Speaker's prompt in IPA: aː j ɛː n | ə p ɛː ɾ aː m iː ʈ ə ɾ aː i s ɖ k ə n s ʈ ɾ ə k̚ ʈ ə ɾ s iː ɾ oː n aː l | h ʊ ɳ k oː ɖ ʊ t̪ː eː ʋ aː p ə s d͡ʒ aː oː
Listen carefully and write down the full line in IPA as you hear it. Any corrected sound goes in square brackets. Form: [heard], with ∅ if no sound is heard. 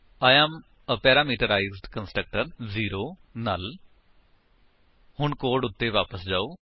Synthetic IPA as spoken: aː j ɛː [m] | ə p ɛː ɾ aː m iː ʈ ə ɾ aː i [z] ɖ k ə n s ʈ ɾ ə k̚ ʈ ə ɾ [z] iː ɾ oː n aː l | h ʊ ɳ k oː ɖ ʊ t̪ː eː ʋ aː p ə s d͡ʒ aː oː

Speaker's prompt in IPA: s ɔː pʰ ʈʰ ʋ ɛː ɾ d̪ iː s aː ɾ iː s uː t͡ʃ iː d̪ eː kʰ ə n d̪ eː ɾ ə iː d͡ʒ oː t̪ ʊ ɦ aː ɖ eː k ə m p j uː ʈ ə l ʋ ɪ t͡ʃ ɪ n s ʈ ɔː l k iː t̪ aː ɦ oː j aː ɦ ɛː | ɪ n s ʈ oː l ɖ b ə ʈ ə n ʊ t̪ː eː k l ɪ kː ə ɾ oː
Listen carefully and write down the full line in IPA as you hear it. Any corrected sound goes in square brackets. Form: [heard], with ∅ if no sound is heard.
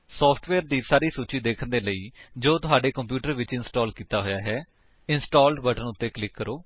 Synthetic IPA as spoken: s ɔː pʰ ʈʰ ʋ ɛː ɾ d̪ iː s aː ɾ iː s uː t͡ʃ iː d̪ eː kʰ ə n d̪ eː [l] ə iː d͡ʒ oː t̪ ʊ ɦ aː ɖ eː k ə m p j uː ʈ ə [ɾ] ʋ ɪ t͡ʃ ɪ n s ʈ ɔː l k iː t̪ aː ɦ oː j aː ɦ ɛː | ɪ n s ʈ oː l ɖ b ə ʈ ə n ʊ t̪ː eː k l ɪ kː ə ɾ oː

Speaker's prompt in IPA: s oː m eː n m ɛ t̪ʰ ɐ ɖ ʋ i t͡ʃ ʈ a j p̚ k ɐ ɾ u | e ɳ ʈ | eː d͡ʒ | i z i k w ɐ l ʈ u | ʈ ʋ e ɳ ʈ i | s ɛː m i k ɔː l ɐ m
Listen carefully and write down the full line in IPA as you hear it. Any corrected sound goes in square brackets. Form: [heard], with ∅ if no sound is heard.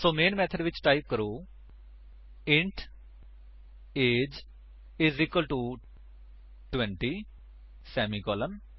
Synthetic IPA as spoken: s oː m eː n m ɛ t̪ʰ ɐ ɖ ʋ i t͡ʃ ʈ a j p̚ k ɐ ɾ u | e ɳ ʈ | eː d͡ʒ | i z i k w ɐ l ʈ u | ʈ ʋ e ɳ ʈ i | s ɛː m i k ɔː l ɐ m

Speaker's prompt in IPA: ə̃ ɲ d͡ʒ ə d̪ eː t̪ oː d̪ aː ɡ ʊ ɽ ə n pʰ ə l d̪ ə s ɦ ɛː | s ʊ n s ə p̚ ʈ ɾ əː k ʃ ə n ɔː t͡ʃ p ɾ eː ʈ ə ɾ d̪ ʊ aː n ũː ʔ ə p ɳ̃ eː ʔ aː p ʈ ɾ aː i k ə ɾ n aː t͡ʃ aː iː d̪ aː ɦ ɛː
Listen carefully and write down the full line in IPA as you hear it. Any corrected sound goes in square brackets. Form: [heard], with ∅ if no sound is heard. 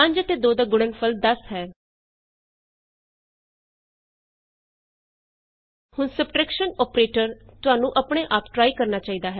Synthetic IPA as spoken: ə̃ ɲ d͡ʒ ə [t̪] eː [d̪] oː d̪ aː ɡ ʊ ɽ ə n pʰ ə l d̪ ə s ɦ ɛː | [h] ʊ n s ə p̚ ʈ ɾ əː k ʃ ə n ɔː [∅] p ɾ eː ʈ ə ɾ [t̪] ʊ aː n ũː ʔ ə p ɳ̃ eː ʔ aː p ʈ ɾ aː i k ə ɾ n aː t͡ʃ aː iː d̪ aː ɦ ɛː

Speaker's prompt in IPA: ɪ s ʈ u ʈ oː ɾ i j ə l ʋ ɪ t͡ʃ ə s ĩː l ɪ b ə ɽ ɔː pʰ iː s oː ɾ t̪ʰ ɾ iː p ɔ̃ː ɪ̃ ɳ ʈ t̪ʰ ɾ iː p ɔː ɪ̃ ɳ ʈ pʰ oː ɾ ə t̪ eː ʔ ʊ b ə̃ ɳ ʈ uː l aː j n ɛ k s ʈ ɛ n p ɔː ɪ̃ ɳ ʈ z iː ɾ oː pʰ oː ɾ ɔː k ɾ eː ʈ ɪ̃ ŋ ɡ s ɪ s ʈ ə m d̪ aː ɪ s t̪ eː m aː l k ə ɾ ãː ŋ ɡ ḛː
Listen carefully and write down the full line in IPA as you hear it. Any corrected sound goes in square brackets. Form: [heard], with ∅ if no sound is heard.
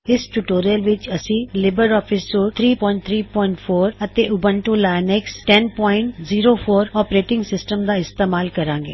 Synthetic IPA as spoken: ɪ s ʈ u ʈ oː ɾ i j ə l ʋ ɪ t͡ʃ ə s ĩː l ɪ b ə [ɾ] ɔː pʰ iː s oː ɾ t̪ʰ ɾ iː p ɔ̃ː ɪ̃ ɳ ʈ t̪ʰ ɾ iː p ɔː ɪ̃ ɳ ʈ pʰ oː ɾ ə t̪ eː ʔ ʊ b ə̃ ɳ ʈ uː l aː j n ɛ k s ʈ ɛ n p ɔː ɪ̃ ɳ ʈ z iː ɾ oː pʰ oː ɾ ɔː [p] ɾ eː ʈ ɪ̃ ŋ ɡ s ɪ s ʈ ə m d̪ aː ɪ s t̪ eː m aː l k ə ɾ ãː ŋ ɡ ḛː

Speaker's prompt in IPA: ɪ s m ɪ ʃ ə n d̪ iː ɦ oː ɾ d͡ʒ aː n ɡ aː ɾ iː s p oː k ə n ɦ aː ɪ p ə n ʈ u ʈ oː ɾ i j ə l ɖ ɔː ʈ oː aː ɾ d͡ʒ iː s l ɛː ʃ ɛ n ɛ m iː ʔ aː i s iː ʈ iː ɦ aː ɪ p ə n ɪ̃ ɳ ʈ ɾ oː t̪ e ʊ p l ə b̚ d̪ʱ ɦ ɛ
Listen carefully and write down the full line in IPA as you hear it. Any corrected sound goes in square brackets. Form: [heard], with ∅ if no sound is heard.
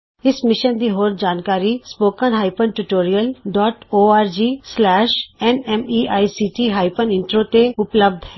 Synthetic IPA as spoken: ɪ s m ɪ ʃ ə n d̪ iː ɦ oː ɾ d͡ʒ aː n [k] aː ɾ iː s p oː k ə n ɦ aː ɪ p ə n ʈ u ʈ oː ɾ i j ə l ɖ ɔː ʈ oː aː ɾ d͡ʒ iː s l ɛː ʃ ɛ n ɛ m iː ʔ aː i s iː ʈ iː ɦ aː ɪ p ə n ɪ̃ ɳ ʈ ɾ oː t̪ e ʊ p l ə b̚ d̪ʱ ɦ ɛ

